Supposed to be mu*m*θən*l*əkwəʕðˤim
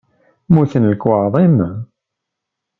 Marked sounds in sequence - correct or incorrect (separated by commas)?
incorrect, correct